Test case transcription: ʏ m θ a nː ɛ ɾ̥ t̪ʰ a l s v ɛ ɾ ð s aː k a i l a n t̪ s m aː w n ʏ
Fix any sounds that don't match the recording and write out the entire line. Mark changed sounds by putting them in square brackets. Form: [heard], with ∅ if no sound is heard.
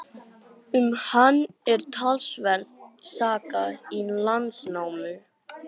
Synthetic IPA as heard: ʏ m [h] a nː ɛ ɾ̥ t̪ʰ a l s v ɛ ɾ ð s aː k a i l a n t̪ s [n] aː w [m] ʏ